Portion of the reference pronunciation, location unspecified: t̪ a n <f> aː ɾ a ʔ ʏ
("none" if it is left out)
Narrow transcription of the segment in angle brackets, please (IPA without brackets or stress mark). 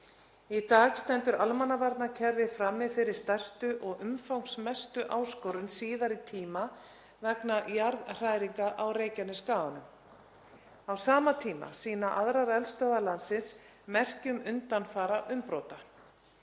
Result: f